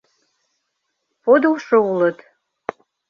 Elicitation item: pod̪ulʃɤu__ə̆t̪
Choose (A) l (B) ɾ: A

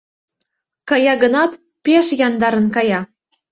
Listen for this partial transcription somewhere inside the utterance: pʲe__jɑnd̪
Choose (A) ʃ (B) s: A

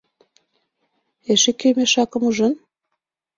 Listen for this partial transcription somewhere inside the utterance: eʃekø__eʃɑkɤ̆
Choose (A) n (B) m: B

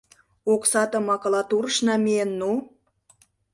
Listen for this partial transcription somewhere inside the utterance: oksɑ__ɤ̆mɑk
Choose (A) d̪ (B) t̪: B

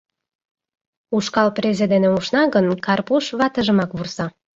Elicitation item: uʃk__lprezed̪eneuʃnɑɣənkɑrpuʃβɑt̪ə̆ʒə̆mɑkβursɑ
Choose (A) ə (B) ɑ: B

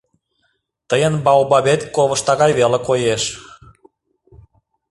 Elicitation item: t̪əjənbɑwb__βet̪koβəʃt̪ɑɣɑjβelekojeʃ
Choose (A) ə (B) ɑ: B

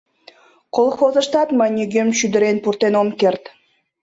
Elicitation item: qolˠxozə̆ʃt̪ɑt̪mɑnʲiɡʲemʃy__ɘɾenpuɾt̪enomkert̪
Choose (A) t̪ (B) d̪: B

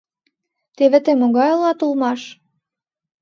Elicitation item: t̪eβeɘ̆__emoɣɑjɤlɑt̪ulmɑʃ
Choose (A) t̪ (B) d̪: A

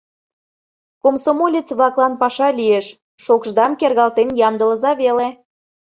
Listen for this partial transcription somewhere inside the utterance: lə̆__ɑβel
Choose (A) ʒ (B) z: B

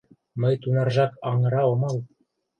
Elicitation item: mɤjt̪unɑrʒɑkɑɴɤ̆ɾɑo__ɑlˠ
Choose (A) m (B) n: A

